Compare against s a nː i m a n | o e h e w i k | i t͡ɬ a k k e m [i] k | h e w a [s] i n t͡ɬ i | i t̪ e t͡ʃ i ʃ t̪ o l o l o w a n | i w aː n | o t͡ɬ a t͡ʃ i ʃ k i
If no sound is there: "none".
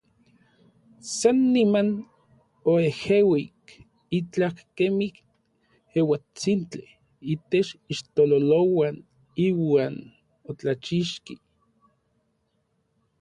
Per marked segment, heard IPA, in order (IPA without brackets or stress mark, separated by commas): i, t͡s